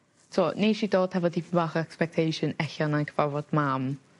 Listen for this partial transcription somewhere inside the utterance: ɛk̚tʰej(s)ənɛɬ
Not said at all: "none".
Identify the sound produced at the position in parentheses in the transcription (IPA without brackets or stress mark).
ʃ